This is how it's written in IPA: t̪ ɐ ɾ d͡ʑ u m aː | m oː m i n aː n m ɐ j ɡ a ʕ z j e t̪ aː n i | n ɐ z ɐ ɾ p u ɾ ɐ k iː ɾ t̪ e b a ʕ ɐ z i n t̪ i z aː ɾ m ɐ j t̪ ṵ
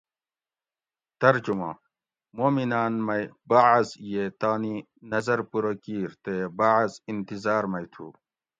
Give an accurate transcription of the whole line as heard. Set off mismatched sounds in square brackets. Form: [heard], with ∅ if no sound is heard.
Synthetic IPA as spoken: t̪ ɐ ɾ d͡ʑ u m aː | m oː m i n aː n m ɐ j [b] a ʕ z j e t̪ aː n i | n ɐ z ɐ ɾ p u ɾ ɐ k iː ɾ t̪ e b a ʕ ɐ z i n t̪ i z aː ɾ m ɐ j [t̪ʰ] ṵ

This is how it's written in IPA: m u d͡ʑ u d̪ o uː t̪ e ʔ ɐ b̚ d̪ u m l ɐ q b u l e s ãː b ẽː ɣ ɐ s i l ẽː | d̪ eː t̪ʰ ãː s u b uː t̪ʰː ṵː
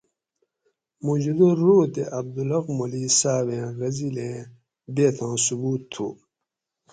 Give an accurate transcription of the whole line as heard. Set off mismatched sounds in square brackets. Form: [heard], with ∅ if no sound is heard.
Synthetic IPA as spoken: m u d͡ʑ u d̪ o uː t̪ e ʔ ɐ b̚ d̪ u [∅] l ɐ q [m] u l [i] s [aː] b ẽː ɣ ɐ [z] i l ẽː | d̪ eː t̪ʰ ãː s u b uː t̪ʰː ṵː

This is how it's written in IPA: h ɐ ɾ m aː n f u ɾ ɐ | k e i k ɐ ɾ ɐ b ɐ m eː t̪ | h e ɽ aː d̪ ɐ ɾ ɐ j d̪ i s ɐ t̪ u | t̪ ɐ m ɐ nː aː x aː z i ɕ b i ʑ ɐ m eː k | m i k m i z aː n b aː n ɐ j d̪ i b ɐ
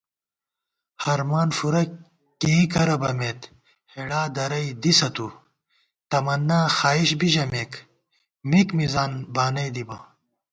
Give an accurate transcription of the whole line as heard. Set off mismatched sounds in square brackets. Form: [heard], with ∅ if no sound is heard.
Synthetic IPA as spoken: h ɐ ɾ m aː n f u ɾ ɐ | k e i k ɐ ɾ ɐ b ɐ m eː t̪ | h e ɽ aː d̪ ɐ ɾ ɐ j d̪ i s ɐ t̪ u | t̪ ɐ m ɐ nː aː x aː [∅] i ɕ b i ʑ ɐ m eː k | m i k m i z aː n b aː n ɐ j d̪ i b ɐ

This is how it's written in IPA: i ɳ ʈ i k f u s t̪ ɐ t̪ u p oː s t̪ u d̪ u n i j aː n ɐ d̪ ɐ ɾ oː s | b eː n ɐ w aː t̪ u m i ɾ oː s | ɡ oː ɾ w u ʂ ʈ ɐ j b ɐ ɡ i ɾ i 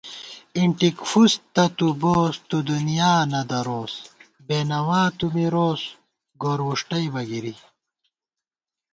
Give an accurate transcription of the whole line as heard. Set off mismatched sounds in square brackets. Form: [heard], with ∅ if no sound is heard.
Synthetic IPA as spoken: i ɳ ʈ i k f u s t̪ ɐ t̪ u [b] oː s t̪ u d̪ u n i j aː n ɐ d̪ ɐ ɾ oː s | b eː n ɐ w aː t̪ u m i ɾ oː s | ɡ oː ɾ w u ʂ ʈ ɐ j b ɐ ɡ i ɾ i

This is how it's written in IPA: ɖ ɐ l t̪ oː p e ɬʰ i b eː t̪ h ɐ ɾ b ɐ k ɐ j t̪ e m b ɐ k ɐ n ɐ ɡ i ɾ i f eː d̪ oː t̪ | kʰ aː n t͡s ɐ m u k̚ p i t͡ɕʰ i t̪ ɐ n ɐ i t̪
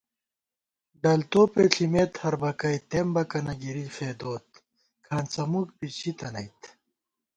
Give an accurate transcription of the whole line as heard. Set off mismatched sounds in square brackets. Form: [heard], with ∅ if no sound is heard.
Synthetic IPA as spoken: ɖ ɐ l t̪ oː p e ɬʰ i [m] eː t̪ h ɐ ɾ b ɐ k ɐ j t̪ e m b ɐ k ɐ n ɐ ɡ i ɾ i f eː d̪ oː t̪ | kʰ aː n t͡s ɐ m u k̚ p i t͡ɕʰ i t̪ ɐ n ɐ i t̪

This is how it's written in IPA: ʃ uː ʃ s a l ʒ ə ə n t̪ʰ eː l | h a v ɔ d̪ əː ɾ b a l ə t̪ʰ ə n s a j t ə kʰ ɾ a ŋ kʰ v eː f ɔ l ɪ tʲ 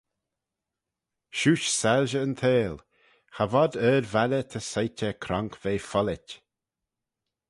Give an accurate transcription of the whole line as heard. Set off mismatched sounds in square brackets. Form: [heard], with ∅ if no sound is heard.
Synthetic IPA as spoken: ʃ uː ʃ s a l ʒ ə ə n t̪ʰ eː l | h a v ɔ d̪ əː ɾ [v] a l ə t̪ʰ ə [∅] s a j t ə kʰ ɾ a ŋ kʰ v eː f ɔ l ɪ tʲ

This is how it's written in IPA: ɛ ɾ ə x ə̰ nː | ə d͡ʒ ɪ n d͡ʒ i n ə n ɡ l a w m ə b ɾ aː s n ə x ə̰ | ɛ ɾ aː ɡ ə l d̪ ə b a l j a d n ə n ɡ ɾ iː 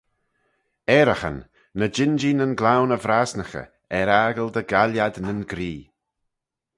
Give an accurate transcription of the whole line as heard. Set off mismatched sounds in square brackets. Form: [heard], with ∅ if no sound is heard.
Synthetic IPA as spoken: ɛ ɾ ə x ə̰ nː | ə d͡ʒ ɪ n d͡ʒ i n ə n ɡ l a w [n] ə [v] ɾ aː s n ə x ə̰ | ɛ ɾ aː ɡ ə l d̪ ə [ɡ] a l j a d n ə n ɡ ɾ iː

